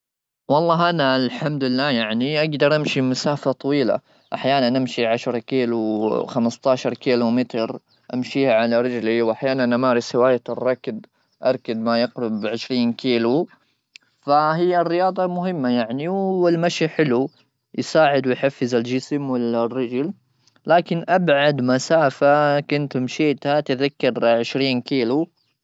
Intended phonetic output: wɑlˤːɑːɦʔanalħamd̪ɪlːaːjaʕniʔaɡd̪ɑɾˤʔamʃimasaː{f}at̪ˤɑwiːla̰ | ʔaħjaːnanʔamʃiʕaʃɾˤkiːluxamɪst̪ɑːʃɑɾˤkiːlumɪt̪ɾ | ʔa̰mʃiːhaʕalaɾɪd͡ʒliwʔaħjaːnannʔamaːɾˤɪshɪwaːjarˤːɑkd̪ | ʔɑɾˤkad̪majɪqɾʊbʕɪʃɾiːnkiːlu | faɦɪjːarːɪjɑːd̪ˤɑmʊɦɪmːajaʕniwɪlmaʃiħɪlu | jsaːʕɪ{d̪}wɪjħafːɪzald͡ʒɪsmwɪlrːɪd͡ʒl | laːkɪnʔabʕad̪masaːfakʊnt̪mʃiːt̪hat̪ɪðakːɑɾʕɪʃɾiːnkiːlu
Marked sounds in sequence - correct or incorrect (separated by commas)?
correct, correct